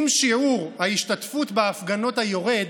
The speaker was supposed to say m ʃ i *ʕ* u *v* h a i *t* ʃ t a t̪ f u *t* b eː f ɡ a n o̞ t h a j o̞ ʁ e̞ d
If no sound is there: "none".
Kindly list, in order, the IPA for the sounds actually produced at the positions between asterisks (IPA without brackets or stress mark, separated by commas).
ʕ, ʁ, none, t